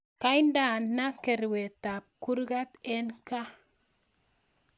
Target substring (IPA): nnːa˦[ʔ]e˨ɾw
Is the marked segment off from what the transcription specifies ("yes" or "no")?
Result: yes